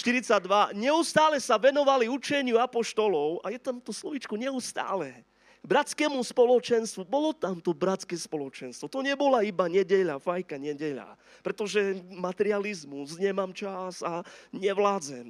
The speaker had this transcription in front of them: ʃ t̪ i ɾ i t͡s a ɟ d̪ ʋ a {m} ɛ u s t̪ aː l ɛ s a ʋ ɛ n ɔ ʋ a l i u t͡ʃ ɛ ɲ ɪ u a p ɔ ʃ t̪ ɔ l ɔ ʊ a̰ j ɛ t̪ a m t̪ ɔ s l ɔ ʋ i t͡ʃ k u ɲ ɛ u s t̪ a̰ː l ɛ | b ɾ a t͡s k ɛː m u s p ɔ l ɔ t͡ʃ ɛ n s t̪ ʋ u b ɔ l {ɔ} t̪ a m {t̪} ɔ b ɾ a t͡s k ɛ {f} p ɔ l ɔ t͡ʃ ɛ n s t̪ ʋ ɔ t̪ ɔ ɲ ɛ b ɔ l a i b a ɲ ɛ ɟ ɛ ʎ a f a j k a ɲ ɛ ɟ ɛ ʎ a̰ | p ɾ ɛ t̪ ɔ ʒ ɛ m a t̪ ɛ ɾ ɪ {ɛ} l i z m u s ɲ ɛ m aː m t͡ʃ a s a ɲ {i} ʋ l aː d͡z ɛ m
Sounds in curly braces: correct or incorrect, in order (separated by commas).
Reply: incorrect, correct, correct, incorrect, incorrect, incorrect